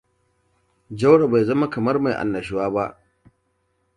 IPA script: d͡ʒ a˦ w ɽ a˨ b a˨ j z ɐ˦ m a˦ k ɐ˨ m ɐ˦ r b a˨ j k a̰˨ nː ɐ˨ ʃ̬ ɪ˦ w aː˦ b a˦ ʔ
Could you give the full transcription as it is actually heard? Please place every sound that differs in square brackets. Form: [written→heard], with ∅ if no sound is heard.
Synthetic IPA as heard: d͡ʒ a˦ w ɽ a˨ b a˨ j z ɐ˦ m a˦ k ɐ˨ m ɐ˦ r [b→m] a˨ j [k→ʔ] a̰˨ nː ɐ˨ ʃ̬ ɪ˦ w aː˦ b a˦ ʔ